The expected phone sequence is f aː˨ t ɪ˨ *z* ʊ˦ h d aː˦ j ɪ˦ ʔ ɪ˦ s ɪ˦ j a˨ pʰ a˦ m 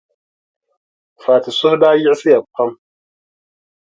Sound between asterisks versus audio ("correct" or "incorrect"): incorrect